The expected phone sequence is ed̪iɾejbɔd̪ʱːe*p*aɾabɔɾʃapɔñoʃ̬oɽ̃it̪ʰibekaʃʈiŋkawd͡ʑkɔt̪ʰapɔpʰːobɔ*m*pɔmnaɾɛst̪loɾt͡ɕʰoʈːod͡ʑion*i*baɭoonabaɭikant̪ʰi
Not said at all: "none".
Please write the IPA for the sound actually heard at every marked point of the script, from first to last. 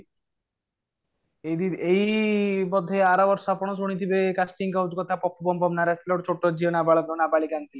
none, m, a

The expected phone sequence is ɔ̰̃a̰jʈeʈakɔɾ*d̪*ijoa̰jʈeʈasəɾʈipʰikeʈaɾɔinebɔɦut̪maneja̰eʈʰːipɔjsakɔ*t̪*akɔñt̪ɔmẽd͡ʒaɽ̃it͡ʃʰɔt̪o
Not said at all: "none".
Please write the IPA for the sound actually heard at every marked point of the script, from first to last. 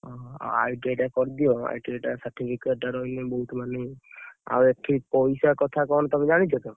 d̪, t̪ʰ

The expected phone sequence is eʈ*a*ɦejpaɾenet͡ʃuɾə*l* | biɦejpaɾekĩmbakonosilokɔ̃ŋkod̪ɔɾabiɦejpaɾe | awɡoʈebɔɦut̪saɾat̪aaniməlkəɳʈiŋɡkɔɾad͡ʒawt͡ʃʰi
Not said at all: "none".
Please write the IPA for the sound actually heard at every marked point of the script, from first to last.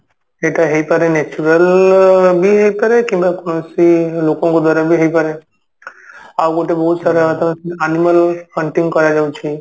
a, l

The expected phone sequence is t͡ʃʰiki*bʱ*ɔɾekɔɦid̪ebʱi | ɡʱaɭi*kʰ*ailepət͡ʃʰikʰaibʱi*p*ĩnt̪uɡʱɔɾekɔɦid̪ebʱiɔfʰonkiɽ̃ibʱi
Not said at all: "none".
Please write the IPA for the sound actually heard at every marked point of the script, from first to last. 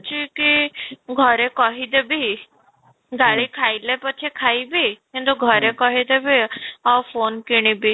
ɡʱ, kʰ, k

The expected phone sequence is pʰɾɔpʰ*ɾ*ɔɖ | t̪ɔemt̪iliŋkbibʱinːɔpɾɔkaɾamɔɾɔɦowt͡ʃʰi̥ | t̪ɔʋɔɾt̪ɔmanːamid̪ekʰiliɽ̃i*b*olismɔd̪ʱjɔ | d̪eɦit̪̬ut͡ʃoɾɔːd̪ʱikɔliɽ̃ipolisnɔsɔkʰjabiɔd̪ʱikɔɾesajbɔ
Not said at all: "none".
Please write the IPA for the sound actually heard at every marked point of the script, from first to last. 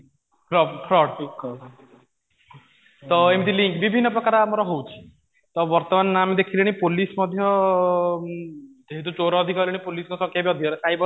ɾ, p

